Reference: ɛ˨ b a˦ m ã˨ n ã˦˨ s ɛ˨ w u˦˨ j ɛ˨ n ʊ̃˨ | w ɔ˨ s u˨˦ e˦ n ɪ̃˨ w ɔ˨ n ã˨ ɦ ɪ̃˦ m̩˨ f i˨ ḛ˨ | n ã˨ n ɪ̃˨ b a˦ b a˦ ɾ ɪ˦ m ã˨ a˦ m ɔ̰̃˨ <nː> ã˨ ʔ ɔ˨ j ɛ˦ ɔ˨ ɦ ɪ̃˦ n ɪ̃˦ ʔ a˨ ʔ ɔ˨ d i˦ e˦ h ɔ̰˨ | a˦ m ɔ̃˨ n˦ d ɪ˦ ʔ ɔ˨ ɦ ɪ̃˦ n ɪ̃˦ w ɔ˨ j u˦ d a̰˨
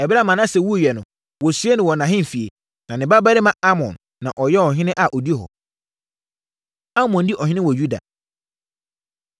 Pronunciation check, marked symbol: correct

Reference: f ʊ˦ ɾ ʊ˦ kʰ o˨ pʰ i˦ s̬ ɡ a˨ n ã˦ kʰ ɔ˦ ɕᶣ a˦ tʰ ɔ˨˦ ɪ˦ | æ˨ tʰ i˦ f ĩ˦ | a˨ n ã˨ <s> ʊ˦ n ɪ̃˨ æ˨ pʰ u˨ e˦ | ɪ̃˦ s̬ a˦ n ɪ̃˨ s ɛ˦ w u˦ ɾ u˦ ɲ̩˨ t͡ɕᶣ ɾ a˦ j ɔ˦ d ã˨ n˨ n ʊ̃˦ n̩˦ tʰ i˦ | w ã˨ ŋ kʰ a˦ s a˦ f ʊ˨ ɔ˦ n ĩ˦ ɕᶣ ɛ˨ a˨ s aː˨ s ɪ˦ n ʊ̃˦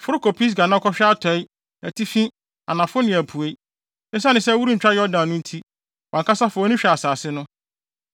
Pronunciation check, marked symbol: incorrect: f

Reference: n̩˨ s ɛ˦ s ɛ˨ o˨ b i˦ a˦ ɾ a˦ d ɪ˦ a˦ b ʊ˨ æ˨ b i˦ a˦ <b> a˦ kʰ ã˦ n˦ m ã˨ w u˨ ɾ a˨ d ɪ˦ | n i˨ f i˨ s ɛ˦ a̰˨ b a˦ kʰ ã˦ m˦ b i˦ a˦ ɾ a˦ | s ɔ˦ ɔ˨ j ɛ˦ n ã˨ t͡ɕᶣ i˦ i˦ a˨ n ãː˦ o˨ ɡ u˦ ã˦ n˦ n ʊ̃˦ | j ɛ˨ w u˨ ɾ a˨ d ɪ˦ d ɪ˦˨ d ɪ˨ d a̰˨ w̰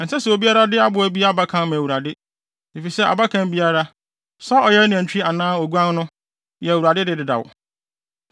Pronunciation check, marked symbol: correct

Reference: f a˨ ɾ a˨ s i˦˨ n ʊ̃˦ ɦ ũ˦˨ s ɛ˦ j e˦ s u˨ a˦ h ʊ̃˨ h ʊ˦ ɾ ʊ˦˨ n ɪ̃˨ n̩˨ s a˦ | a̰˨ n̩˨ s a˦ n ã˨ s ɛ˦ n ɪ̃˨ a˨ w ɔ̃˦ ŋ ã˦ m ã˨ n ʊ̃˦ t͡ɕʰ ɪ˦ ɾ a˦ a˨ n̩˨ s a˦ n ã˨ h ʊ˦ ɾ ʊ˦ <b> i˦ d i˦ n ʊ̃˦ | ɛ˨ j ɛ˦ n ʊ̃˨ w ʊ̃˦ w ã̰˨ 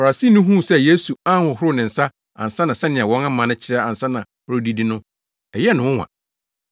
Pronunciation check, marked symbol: incorrect: d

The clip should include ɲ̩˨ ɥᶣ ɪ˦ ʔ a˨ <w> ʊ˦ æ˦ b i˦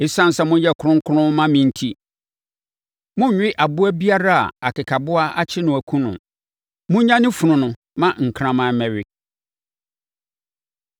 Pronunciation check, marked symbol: incorrect: b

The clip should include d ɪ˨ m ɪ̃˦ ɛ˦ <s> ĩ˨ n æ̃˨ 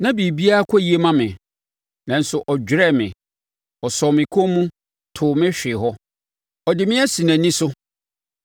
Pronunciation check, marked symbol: correct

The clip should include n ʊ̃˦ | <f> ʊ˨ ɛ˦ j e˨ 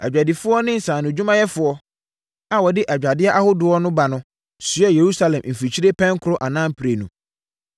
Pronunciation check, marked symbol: incorrect: s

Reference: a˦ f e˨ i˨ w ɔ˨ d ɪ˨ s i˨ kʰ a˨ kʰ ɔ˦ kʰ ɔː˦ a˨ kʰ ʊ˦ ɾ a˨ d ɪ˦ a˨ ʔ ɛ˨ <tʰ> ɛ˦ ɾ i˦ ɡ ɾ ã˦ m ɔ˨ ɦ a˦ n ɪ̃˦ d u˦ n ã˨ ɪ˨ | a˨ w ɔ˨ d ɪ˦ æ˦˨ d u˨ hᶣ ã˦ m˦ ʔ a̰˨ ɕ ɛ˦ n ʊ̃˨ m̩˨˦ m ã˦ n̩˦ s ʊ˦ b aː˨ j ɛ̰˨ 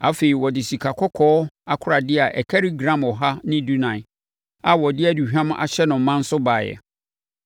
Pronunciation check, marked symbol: incorrect: kʰ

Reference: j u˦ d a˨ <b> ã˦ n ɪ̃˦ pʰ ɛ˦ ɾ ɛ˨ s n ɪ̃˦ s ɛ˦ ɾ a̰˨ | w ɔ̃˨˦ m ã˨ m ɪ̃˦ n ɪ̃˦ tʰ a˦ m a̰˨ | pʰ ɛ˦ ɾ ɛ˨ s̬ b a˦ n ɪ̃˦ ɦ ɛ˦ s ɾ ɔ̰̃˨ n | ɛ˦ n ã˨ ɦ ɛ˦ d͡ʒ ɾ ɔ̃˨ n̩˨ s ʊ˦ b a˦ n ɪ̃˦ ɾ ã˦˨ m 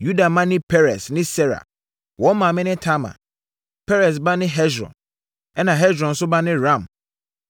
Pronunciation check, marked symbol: incorrect: m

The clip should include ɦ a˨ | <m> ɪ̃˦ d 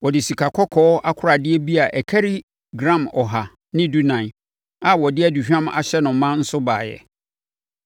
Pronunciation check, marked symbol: incorrect: n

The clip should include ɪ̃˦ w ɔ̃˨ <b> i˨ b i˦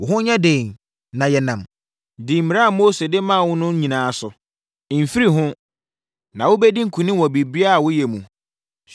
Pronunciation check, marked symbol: correct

